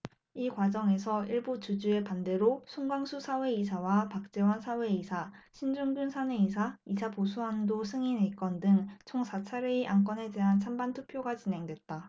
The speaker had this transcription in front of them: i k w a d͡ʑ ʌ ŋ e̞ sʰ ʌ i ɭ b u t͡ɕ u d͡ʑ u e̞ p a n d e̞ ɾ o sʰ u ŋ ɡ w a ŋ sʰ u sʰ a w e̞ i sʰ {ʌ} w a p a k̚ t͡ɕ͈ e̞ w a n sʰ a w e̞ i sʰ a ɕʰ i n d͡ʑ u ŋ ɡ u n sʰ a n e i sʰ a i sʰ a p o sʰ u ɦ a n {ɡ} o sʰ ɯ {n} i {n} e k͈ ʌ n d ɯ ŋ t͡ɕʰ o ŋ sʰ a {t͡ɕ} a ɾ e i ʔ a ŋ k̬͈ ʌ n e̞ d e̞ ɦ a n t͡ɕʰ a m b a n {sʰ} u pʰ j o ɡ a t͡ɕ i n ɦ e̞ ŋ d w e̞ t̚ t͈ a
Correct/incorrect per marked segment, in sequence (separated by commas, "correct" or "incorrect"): incorrect, incorrect, incorrect, correct, incorrect, incorrect